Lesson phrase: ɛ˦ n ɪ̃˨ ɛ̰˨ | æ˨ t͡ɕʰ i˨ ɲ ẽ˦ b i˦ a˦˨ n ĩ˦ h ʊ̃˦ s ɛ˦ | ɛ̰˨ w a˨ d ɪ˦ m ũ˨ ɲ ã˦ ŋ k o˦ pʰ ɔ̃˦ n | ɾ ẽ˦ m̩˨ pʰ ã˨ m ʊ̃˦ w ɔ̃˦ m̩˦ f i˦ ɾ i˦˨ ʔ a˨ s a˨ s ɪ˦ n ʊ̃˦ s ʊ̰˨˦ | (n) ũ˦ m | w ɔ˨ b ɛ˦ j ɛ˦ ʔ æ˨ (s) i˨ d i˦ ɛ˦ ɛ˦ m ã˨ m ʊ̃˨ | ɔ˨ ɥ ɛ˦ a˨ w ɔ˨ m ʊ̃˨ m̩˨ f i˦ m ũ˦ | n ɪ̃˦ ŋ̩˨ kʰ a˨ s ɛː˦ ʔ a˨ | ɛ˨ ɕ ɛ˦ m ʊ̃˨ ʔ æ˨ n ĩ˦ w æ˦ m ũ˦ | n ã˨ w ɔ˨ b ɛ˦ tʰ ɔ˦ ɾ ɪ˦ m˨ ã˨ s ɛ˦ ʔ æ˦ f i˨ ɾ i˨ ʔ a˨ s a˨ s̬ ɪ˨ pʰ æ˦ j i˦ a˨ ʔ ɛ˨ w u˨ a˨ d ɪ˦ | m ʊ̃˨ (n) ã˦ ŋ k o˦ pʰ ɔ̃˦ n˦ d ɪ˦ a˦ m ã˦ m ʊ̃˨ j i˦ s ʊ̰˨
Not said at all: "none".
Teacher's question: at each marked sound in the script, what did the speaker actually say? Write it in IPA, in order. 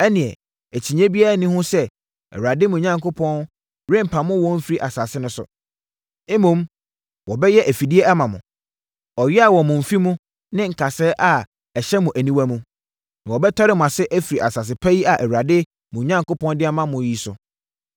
m, f, ɲ

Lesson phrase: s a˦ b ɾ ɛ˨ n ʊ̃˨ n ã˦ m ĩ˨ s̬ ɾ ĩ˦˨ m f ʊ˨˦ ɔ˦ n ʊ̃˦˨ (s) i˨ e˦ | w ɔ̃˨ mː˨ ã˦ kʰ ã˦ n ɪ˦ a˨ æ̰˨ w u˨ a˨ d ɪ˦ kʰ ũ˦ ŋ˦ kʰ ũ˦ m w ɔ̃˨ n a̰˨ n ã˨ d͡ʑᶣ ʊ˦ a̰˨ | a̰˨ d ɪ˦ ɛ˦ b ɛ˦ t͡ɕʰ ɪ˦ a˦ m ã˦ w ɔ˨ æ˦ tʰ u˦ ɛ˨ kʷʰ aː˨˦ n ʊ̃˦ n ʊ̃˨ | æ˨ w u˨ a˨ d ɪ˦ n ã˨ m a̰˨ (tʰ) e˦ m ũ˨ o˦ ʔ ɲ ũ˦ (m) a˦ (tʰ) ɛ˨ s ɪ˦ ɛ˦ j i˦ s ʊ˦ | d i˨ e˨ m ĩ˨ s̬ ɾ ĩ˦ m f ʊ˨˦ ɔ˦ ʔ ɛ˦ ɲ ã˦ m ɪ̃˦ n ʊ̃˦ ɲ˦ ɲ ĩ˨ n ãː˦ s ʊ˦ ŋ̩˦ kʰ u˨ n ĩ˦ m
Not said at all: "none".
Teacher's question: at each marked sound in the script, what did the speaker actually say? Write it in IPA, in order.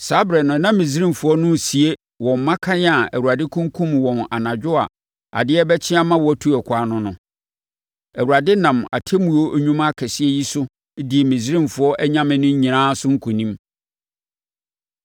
s, tʰ, m, kʰ

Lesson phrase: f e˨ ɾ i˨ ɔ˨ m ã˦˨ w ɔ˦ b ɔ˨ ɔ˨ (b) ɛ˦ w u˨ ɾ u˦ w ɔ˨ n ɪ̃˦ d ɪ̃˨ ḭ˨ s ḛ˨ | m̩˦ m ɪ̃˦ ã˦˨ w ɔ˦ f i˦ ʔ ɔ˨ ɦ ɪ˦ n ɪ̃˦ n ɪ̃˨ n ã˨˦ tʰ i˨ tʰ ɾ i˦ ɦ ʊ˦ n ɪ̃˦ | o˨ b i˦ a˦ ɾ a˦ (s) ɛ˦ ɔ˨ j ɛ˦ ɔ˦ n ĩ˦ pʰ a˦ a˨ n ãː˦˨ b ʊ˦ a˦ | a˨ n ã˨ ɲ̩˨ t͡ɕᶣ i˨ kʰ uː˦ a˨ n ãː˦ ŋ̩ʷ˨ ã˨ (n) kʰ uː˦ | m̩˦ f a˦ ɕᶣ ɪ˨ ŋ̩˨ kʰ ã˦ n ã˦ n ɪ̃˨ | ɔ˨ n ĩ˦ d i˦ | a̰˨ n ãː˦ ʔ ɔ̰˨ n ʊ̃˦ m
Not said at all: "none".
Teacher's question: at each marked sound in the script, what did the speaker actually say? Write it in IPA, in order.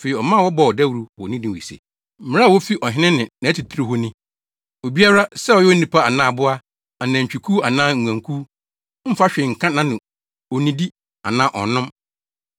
d, s, ŋ

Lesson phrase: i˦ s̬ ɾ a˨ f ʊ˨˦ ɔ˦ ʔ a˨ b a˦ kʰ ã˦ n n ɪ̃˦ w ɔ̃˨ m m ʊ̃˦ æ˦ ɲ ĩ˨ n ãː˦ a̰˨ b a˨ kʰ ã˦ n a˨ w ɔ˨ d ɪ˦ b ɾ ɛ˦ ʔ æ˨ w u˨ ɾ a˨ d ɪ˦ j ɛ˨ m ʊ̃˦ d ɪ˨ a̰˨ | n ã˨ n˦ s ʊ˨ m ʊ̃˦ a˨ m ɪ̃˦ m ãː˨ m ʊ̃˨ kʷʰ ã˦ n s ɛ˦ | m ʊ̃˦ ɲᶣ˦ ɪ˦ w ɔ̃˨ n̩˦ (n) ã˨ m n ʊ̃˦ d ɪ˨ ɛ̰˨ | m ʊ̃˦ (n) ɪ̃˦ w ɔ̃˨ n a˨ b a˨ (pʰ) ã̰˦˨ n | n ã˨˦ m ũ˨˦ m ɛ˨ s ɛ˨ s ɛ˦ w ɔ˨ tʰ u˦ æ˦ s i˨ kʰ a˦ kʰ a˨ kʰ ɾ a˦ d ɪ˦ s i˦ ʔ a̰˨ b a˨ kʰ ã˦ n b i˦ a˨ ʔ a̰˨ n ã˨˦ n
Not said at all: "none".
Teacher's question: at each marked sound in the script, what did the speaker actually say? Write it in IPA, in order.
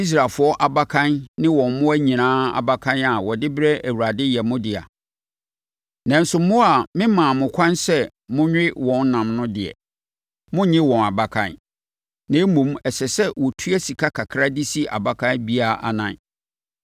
n, ɲ, kʰ

